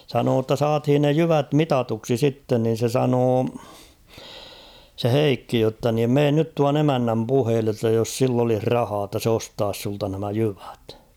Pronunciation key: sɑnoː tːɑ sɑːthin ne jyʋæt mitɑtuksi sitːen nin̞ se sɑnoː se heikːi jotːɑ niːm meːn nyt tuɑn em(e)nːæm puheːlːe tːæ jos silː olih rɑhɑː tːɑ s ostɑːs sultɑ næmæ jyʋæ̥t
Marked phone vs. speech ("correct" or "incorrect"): incorrect